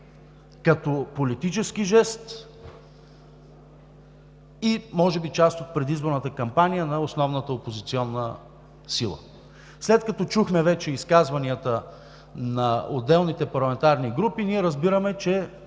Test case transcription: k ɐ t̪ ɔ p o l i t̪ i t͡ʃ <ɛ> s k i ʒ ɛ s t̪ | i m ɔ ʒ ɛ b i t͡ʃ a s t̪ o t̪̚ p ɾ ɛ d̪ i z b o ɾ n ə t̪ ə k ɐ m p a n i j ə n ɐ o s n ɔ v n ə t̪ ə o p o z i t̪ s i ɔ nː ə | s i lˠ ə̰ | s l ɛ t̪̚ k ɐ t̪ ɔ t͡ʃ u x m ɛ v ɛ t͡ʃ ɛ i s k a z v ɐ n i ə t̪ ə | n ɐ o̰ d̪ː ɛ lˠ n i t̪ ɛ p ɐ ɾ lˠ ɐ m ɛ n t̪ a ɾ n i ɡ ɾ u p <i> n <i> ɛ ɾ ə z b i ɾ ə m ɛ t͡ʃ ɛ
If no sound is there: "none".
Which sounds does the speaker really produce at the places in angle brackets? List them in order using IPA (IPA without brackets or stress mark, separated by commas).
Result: ɛ, i, i